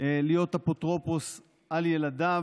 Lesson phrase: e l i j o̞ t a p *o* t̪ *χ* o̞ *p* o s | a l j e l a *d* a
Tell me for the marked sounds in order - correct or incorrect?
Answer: correct, incorrect: ʁ, correct, correct

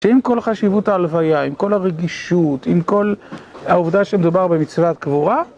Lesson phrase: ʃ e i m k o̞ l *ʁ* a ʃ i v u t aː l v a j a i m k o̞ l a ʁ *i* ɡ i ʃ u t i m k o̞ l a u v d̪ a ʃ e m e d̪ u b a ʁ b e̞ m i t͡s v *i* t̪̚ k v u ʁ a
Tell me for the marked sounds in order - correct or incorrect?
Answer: incorrect: χ, incorrect: e, incorrect: a

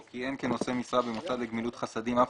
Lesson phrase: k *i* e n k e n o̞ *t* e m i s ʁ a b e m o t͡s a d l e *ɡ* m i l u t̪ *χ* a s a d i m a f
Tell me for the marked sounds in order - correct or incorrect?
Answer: correct, incorrect: s, correct, correct

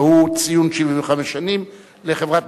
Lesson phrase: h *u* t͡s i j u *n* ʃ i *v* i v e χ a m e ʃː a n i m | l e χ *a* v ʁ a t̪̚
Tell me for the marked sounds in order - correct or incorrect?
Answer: correct, correct, correct, incorrect: e

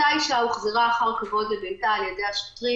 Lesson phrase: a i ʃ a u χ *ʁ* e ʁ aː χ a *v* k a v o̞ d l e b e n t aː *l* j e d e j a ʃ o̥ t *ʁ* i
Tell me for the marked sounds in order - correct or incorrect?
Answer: incorrect: z, incorrect: ʁ, correct, correct

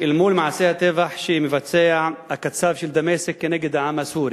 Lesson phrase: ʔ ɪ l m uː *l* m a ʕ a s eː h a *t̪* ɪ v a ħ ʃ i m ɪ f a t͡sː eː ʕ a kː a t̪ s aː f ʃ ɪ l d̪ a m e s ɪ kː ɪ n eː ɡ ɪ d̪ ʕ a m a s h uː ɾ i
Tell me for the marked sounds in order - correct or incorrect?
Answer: correct, correct

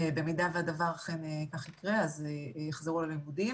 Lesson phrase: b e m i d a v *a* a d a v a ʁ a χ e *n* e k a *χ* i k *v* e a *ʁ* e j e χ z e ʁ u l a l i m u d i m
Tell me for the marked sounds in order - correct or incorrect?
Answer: incorrect: e, correct, correct, incorrect: ʁ, incorrect: z

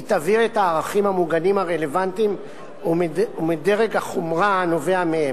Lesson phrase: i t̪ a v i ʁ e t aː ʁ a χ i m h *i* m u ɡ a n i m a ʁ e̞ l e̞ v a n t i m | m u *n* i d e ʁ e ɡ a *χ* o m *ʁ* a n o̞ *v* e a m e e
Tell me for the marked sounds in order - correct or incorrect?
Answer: incorrect: a, incorrect: m, correct, correct, correct

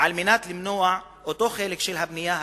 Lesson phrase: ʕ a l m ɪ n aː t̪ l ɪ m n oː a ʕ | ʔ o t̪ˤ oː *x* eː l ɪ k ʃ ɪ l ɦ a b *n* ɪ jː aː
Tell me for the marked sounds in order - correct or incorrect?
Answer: correct, correct

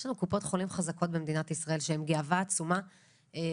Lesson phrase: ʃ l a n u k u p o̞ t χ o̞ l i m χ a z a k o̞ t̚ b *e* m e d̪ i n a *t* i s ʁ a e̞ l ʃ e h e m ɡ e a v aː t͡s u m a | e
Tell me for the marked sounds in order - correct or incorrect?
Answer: correct, correct

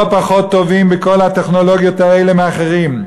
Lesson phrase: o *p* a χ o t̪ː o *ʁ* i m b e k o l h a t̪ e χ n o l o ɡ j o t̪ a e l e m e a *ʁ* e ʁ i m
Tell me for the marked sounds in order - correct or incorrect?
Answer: correct, incorrect: v, incorrect: χ

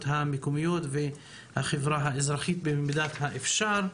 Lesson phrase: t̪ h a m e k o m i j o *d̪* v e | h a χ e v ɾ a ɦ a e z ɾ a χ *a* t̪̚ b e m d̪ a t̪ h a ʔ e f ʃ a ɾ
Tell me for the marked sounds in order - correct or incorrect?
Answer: incorrect: t̪, incorrect: i

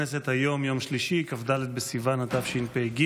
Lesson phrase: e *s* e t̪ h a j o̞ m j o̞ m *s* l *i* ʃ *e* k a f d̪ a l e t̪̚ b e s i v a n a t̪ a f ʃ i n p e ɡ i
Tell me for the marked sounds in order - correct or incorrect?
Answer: correct, incorrect: ʃ, correct, incorrect: i

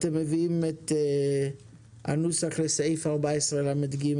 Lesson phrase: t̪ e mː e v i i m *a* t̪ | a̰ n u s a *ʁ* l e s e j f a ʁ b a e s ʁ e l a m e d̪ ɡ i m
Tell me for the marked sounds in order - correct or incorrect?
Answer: incorrect: e, incorrect: χ

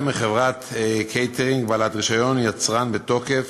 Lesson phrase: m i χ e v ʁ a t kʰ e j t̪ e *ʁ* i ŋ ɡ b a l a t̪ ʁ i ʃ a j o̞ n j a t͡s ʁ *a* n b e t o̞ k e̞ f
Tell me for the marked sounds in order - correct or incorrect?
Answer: correct, correct

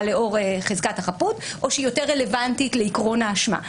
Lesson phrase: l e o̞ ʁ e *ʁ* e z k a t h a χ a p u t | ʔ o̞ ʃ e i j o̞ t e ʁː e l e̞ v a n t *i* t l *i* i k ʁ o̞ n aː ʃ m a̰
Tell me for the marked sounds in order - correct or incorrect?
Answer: incorrect: χ, correct, incorrect: e

